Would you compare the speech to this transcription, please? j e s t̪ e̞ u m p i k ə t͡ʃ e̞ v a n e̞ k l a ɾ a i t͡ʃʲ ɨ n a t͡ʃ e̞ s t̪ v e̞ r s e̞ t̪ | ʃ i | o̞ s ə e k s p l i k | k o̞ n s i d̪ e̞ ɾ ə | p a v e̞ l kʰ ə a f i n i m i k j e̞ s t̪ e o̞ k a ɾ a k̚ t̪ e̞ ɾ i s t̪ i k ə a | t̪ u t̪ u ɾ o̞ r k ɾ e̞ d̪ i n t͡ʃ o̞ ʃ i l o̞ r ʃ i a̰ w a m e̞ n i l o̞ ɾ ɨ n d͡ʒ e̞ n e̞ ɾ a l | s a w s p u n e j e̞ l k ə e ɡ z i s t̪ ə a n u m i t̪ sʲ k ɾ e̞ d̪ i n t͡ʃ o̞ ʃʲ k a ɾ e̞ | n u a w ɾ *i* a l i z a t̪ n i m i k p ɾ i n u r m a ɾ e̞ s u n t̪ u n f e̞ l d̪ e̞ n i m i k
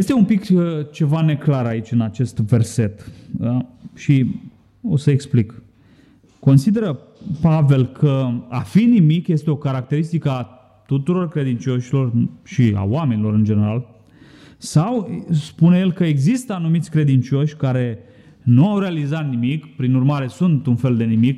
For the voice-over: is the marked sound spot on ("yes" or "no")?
no